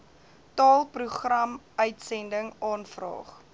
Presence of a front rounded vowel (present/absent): present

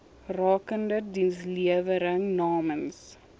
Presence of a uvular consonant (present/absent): absent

